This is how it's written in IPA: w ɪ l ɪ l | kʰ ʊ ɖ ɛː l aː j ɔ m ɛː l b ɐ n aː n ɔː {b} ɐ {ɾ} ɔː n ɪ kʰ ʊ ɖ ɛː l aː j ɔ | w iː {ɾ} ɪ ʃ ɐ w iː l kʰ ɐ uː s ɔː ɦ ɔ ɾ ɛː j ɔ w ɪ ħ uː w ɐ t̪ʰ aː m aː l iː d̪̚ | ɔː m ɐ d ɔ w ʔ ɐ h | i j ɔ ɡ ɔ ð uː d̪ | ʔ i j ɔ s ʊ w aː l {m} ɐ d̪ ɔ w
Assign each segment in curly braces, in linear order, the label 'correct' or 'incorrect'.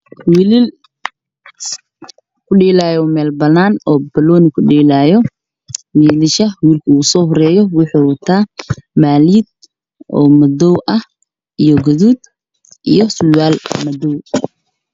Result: correct, incorrect: l, incorrect: l, correct

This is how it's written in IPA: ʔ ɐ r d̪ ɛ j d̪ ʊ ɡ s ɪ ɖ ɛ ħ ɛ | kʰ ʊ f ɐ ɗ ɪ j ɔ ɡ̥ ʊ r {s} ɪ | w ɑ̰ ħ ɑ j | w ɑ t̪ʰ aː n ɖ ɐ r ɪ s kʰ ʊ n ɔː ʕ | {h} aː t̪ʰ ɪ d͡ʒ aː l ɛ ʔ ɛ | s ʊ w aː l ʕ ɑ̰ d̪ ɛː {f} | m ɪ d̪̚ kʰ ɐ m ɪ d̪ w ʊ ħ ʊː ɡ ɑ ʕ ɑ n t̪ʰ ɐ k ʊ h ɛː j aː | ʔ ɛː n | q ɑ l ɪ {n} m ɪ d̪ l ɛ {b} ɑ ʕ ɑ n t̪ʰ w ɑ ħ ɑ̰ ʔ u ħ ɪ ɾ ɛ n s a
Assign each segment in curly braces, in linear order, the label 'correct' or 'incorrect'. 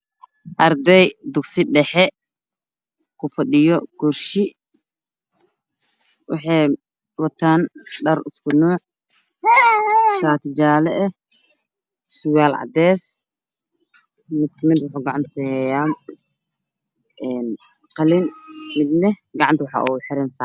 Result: incorrect: ʃ, incorrect: ʃ, incorrect: s, correct, incorrect: ɡ

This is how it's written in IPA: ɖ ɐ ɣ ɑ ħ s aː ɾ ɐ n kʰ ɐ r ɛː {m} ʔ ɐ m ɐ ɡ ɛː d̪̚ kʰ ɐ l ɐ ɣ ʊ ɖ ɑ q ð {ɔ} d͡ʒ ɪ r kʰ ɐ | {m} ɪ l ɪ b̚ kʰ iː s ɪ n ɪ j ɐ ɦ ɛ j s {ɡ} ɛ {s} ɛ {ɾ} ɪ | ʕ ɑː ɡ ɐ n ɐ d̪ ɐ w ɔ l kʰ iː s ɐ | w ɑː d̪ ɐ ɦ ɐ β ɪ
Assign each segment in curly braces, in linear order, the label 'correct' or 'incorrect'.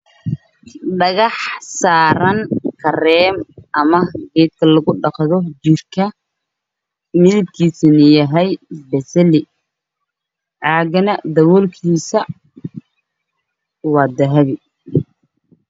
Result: correct, correct, correct, incorrect: b, correct, incorrect: l

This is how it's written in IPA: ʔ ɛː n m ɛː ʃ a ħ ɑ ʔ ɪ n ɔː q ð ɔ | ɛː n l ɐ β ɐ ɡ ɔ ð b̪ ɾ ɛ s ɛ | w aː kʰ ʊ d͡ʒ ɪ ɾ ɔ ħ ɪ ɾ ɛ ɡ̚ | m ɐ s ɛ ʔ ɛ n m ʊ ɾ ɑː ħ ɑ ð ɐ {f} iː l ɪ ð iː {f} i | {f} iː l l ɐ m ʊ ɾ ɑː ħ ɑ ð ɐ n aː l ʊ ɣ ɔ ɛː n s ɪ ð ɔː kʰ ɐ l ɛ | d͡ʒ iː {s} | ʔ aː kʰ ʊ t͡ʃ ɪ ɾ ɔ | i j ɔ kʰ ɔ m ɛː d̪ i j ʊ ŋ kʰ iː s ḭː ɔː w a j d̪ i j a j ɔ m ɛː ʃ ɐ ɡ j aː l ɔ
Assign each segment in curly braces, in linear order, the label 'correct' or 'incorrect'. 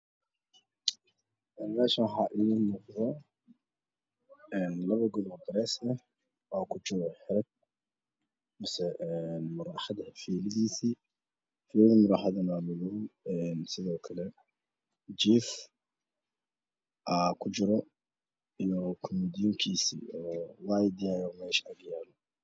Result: correct, incorrect: s, correct, incorrect: f

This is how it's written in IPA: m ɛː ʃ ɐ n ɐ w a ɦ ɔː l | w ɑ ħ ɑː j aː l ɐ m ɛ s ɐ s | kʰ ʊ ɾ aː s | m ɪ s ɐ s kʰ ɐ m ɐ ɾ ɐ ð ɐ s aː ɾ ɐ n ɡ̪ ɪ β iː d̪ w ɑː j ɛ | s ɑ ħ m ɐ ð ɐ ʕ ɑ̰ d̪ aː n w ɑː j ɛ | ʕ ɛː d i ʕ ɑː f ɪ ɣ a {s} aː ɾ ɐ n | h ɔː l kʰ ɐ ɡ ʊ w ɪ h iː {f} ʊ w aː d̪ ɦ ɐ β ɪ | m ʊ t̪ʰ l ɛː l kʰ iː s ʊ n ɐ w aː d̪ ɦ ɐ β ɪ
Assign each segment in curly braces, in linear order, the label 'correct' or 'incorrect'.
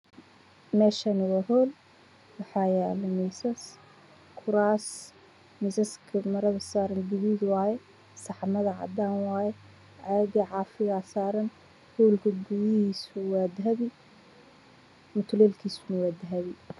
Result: correct, incorrect: s

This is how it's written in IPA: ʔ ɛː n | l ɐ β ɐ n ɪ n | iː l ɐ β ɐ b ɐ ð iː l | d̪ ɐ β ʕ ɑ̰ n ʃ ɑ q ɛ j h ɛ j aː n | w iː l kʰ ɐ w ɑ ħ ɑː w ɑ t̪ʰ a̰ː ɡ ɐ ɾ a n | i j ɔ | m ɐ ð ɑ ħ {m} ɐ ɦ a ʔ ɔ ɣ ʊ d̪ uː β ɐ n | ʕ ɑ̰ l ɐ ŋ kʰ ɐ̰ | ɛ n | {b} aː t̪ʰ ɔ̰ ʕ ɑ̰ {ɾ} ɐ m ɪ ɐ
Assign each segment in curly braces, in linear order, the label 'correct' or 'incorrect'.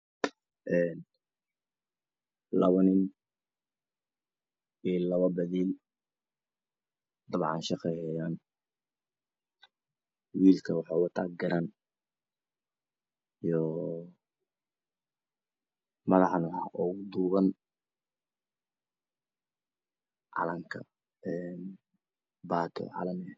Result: incorrect: n, correct, incorrect: l

